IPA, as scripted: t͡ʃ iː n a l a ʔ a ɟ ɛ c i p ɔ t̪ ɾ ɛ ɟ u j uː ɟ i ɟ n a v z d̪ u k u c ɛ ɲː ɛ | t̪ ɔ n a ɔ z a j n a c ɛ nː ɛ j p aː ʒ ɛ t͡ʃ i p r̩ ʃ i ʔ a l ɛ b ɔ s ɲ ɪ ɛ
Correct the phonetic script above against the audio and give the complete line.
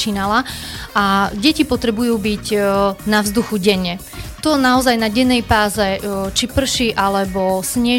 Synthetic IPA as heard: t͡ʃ iː n a l a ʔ a ɟ ɛ c i p ɔ t̪ ɾ ɛ b u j uː b i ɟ n a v z d̪ u x u ɟ ɛ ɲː ɛ | t̪ ɔ n a ɔ z a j n a ɟ ɛ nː ɛ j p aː z ɛ t͡ʃ i p r̩ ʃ i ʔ a l ɛ b ɔ s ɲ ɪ ɛ